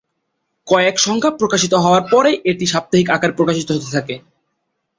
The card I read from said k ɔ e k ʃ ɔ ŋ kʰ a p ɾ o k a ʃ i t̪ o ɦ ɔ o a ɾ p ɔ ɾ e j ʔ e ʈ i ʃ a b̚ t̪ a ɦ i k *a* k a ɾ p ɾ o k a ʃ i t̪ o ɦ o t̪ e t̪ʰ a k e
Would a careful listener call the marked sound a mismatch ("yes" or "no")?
no